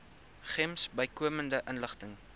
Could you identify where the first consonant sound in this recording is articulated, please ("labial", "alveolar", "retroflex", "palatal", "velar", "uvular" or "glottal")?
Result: uvular